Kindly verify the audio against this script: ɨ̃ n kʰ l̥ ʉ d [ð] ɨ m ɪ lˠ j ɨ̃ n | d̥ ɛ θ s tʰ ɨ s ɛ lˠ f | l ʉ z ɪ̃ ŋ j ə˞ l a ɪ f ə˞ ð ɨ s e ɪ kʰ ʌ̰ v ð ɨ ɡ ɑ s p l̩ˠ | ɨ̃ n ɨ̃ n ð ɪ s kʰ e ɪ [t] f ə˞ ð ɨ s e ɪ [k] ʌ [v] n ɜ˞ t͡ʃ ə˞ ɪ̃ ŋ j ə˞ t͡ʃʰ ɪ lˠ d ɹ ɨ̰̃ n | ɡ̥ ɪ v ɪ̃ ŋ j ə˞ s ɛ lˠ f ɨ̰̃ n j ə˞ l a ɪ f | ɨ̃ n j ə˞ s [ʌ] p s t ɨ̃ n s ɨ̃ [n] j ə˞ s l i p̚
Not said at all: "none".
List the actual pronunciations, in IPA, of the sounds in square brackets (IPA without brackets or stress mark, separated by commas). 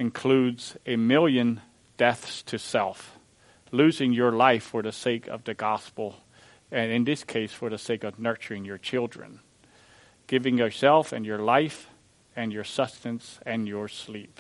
z, s, k, v, ʌ, n